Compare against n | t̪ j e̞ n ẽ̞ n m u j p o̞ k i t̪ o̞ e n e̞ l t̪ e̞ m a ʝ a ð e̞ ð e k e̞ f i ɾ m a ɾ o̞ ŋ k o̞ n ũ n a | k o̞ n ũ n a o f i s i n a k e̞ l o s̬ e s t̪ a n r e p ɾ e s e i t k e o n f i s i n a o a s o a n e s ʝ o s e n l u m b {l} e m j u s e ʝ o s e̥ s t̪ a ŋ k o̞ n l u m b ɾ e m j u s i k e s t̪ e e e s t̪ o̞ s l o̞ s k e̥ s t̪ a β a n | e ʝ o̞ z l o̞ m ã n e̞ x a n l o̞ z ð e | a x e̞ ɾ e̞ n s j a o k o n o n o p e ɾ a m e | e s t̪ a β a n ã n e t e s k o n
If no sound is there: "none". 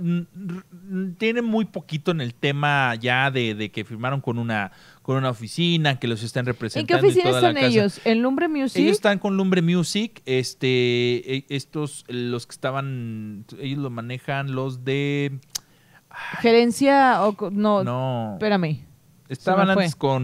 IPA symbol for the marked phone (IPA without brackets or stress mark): ɾ